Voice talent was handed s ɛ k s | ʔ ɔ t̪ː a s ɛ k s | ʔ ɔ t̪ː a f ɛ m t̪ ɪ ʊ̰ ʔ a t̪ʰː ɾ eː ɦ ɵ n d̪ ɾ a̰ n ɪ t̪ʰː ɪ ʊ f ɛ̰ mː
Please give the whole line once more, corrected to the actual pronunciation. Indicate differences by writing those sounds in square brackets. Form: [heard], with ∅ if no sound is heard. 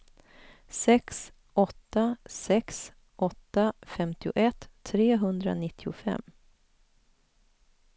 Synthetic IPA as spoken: s ɛ k s | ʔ ɔ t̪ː a s ɛ k s | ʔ ɔ t̪ː a f ɛ m t̪ ɪ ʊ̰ ʔ [ɛ] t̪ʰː ɾ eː ɦ ɵ n d̪ ɾ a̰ n ɪ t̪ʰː ɪ ʊ f ɛ̰ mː

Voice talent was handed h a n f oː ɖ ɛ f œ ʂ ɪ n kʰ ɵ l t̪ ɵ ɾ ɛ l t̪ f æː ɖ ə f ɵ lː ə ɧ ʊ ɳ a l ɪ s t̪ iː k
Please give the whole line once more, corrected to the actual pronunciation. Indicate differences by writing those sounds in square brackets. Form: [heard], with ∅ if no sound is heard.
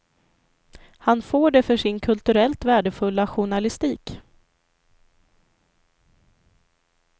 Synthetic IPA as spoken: h a n f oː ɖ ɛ f œ ʂ ɪ n kʰ ɵ l t̪ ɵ ɾ ɛ l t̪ [v] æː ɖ ə f ɵ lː [a] ɧ ʊ ɳ a l ɪ s t̪ iː k

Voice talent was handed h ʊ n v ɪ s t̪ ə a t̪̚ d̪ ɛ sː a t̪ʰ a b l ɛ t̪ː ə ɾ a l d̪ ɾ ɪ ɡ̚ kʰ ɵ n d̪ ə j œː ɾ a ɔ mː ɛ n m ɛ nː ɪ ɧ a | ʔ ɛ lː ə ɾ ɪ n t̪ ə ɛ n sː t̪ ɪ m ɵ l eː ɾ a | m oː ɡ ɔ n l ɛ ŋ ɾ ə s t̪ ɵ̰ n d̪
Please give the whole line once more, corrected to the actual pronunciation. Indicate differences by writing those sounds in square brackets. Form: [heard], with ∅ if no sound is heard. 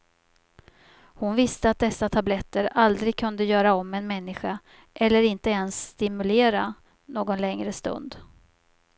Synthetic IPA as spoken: h ʊ n v ɪ s t̪ ə a t̪̚ d̪ ɛ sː a t̪ʰ a b l ɛ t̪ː ə ɾ a l d̪ ɾ ɪ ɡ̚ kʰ ɵ n d̪ ə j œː ɾ a ɔ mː ɛ n m ɛ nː ɪ ɧ a | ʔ ɛ lː ə ɾ ɪ n t̪ ə ɛ n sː t̪ ɪ m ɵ l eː ɾ a | [n] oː ɡ ɔ n l ɛ ŋ ɾ ə s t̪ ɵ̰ n d̪

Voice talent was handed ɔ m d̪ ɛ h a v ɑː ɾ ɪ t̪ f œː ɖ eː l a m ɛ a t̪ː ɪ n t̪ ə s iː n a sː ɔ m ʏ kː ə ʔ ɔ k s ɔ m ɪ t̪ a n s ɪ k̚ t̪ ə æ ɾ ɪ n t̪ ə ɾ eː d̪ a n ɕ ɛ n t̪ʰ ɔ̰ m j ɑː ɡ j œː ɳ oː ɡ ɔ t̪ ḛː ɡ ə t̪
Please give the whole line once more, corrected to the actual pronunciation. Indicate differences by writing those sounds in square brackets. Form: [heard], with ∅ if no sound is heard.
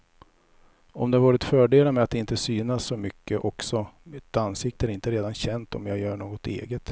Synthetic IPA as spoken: ɔ m d̪ ɛ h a v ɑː ɾ ɪ t̪ f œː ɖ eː l a m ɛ a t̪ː ɪ n t̪ ə s [yː] n a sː ɔ m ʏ kː ə ʔ ɔ k s ɔ m ɪ t̪ a n s ɪ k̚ t̪ ə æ ɾ ɪ n t̪ ə ɾ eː d̪ a n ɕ ɛ n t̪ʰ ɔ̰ m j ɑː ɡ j œː ɳ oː ɡ ɔ t̪ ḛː ɡ ə t̪

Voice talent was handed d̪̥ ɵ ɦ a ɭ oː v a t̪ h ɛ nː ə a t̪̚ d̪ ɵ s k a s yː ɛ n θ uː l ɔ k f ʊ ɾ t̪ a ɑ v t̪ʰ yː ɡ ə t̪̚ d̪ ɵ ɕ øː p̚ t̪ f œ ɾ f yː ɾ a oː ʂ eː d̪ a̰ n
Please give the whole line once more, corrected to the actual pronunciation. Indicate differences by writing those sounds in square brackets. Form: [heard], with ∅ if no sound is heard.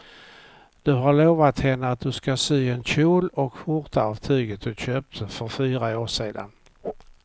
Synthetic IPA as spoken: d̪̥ ɵ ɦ a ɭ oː v a t̪ h ɛ nː ə a t̪̚ d̪ ɵ s k a s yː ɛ n [ɕ] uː l ɔ k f ʊ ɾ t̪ a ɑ v t̪ʰ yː ɡ ə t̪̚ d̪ ɵ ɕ øː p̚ t̪ f œ ɾ f yː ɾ a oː ʂ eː d̪ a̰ n

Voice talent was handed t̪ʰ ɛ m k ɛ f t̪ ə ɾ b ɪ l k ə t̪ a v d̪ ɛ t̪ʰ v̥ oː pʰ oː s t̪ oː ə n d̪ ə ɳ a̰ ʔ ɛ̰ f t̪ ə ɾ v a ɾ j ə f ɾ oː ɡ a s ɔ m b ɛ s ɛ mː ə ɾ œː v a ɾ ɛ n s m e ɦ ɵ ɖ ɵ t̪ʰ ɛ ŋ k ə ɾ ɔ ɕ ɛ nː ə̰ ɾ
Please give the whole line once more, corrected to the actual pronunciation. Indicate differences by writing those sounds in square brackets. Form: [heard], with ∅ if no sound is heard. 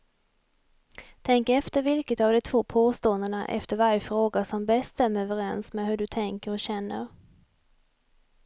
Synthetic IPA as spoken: t̪ʰ ɛ [ŋ] k ɛ f t̪ ə ɾ [v] ɪ l k ə t̪ a v d̪ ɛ t̪ʰ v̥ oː pʰ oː s t̪ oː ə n d̪ ə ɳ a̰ ʔ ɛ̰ f t̪ ə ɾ v a ɾ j ə f ɾ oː ɡ a s ɔ m b ɛ s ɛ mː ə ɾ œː v [ə] ɾ ɛ n s m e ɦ ɵ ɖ ɵ t̪ʰ ɛ ŋ k ə ɾ ɔ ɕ ɛ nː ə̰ ɾ

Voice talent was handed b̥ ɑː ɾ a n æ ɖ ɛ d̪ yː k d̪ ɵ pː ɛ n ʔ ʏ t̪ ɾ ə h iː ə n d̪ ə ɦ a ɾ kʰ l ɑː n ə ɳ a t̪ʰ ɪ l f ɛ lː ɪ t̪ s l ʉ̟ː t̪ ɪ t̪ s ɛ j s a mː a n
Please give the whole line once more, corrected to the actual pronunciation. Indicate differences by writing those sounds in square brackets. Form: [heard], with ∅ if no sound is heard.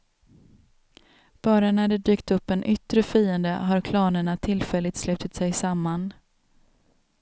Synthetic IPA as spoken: b̥ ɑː ɾ a n æ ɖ ɛ d̪ yː k [t̪] ɵ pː ɛ n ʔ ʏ t̪ ɾ ə [f] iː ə n d̪ ə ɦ a ɾ kʰ l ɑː n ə ɳ a t̪ʰ ɪ l f ɛ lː ɪ t̪ s l ʉ̟ː t̪ ɪ t̪ s ɛ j s a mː a n

